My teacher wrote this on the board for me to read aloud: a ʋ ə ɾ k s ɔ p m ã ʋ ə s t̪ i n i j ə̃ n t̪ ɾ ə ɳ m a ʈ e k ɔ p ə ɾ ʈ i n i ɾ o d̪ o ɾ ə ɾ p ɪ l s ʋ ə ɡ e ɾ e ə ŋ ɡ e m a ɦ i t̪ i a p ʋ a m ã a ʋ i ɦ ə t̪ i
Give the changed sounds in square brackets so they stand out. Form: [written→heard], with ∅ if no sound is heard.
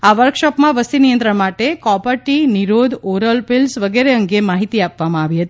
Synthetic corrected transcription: a ʋ ə ɾ k [s→ʃ] ɔ p m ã ʋ ə s t̪ i n i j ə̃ n t̪ ɾ ə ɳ m a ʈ e k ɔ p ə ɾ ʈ i n i ɾ o d̪ o ɾ ə [ɾ→l] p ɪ l s ʋ ə ɡ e ɾ e ə ŋ ɡ e m a ɦ i t̪ i a p ʋ a m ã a ʋ i ɦ ə t̪ i

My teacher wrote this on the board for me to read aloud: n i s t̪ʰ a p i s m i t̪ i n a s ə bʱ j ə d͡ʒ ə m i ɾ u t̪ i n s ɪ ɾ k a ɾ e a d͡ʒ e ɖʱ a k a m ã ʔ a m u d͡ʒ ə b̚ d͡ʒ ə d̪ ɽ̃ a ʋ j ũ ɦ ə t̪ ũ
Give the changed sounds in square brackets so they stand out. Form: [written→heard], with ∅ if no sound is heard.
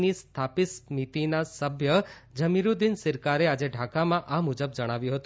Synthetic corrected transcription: n i s t̪ʰ a p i s m i t̪ i n a s ə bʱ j ə d͡ʒ ə m i ɾ u [t̪→d̪] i n s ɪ ɾ k a ɾ e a d͡ʒ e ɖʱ a k a m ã ʔ a m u d͡ʒ ə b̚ d͡ʒ ə [d̪→∅] ɽ̃ a ʋ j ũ ɦ ə t̪ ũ

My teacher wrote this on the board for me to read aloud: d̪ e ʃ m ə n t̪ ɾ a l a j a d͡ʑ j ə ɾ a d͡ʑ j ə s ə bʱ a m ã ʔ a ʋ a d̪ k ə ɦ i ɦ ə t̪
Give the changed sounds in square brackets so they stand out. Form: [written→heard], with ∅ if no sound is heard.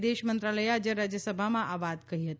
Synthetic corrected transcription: d̪ e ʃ m ə n t̪ ɾ a l [a→ə] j a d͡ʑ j ə ɾ a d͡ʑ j ə s ə bʱ a m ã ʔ a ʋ a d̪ k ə ɦ i ɦ ə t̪

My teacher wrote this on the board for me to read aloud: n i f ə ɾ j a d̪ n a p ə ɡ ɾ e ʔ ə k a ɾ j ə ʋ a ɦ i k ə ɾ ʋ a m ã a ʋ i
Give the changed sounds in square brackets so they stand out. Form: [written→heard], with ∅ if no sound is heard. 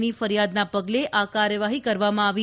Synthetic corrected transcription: n i f ə ɾ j a d̪ n a p ə ɡ [ɾ→l] e ʔ [ə→a] k a ɾ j ə ʋ a ɦ i k ə ɾ ʋ a m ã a ʋ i

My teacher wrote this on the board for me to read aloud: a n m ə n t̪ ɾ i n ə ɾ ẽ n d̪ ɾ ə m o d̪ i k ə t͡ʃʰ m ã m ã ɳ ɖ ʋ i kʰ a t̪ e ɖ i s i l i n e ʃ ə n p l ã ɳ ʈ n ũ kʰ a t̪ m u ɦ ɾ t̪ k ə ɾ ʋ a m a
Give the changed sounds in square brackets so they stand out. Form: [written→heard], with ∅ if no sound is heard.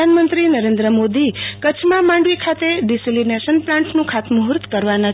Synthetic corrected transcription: a n m ə n t̪ ɾ i n ə ɾ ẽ n d̪ ɾ ə m o d̪ i k ə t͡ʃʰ m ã m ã ɳ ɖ ʋ i kʰ a t̪ e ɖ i s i l i n e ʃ ə n p l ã ɳ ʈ n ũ kʰ a t̪ m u ɦ ɾ t̪ k ə ɾ ʋ a [m→n] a

